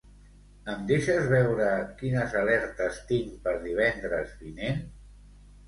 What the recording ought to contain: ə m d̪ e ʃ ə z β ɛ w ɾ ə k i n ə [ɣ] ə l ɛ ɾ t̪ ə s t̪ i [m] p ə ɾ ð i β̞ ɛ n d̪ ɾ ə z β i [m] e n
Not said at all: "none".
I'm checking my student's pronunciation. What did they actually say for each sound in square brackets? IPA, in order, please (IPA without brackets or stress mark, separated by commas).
z, ŋ, n